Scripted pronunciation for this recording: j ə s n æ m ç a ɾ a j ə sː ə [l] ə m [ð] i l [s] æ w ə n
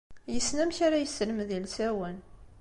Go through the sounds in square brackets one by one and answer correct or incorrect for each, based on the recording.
correct, correct, correct

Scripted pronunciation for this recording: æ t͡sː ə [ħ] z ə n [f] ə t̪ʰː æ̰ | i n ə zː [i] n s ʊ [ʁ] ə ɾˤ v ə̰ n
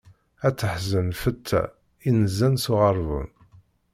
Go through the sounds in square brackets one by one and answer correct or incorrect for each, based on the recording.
correct, correct, incorrect, correct

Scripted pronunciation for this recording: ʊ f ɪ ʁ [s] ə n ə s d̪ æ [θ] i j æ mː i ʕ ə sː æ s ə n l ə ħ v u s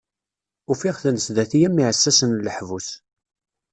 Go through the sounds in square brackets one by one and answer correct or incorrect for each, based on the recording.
incorrect, correct

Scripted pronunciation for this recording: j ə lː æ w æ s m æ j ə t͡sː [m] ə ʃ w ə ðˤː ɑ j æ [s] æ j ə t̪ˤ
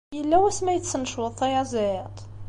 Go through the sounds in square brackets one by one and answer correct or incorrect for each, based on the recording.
incorrect, incorrect

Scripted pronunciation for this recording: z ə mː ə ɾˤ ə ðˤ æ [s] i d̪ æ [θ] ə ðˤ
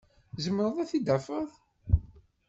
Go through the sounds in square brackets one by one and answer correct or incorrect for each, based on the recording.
incorrect, incorrect

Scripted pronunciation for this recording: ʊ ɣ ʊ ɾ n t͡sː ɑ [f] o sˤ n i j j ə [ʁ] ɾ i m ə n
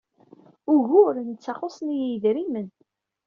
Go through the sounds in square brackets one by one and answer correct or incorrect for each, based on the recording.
incorrect, incorrect

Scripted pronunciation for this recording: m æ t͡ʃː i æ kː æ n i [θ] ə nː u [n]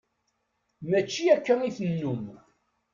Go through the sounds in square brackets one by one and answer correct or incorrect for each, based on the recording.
correct, incorrect

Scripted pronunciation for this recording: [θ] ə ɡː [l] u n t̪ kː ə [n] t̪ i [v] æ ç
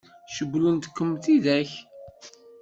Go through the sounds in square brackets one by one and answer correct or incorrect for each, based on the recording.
incorrect, correct, incorrect, incorrect

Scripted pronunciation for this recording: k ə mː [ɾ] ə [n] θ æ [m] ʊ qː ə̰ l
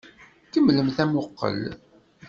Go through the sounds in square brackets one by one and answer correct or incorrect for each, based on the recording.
incorrect, incorrect, correct

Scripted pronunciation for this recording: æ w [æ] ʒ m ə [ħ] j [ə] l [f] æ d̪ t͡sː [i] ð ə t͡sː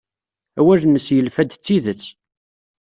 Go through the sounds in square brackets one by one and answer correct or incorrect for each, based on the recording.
correct, incorrect, correct, correct, correct

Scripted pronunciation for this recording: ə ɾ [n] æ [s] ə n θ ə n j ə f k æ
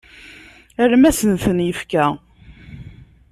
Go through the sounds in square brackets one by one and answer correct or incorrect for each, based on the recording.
incorrect, correct

